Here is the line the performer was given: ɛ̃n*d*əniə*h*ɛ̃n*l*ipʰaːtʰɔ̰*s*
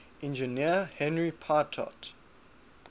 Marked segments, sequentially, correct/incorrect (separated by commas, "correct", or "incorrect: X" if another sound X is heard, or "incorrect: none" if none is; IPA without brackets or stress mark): incorrect: d͡ʒ, correct, incorrect: ɹ, incorrect: t